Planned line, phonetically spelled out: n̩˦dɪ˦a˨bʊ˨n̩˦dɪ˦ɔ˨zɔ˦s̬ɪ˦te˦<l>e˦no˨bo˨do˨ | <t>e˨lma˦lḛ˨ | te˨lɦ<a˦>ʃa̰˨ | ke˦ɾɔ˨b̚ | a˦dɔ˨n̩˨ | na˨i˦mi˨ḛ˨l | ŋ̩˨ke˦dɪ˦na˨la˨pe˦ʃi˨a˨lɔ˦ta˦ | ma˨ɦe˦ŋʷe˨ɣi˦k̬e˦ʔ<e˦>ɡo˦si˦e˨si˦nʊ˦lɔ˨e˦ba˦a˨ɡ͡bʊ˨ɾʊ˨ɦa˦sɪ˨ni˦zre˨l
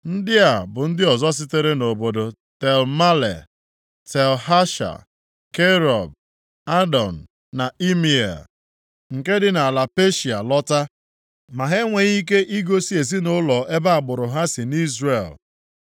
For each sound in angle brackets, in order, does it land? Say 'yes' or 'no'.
no, yes, yes, no

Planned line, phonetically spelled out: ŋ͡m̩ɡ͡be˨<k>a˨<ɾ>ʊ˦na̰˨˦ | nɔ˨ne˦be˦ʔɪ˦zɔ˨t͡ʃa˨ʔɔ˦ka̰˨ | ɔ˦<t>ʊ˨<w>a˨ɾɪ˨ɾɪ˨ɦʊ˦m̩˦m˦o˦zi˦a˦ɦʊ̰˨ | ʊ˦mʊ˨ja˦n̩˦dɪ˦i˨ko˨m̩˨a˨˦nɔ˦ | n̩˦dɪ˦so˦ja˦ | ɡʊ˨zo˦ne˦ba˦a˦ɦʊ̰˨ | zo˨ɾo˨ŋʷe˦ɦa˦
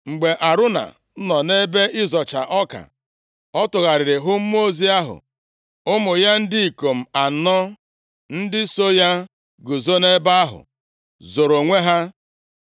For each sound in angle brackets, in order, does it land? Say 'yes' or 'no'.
no, yes, yes, no

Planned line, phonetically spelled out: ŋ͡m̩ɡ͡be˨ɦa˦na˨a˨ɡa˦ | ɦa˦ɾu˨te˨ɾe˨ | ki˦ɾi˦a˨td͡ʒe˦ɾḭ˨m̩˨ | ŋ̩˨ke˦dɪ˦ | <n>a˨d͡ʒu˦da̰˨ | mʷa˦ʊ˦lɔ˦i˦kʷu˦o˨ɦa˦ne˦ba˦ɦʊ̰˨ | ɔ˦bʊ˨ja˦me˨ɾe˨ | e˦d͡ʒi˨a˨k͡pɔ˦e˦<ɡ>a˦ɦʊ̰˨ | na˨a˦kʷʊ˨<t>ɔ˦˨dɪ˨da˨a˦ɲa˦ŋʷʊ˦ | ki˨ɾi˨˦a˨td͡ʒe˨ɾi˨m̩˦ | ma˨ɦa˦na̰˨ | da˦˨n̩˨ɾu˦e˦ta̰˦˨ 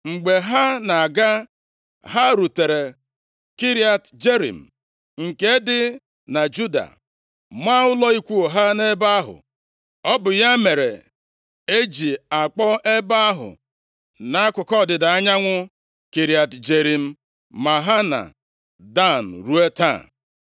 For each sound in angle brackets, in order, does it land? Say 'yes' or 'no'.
yes, no, no

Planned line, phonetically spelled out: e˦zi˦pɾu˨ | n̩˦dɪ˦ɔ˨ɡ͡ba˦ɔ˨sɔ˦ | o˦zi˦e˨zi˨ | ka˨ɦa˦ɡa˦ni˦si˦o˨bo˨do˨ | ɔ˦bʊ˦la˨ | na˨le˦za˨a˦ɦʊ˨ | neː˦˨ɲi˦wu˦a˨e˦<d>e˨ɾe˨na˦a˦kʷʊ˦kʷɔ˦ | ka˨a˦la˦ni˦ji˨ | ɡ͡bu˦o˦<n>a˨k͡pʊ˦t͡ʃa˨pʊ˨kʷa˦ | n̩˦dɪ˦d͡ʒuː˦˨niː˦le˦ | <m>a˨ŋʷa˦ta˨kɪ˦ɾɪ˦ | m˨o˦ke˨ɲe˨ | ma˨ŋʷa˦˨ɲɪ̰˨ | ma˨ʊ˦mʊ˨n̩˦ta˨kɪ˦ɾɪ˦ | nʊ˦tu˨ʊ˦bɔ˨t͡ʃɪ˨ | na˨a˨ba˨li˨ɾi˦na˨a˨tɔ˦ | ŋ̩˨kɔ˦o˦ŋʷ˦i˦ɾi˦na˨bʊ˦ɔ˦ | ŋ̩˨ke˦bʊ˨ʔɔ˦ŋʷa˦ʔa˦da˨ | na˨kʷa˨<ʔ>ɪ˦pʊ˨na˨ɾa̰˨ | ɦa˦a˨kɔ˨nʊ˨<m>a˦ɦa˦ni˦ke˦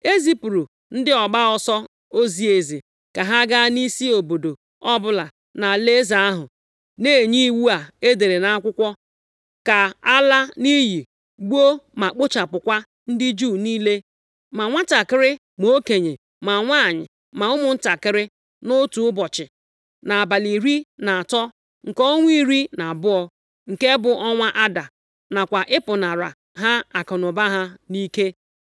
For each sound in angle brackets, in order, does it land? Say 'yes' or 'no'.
yes, no, yes, yes, no

